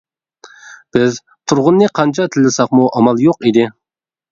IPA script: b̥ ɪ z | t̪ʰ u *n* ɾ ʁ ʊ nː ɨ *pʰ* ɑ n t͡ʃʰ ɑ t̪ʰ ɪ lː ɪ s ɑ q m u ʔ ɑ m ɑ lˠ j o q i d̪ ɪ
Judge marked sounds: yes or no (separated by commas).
no, no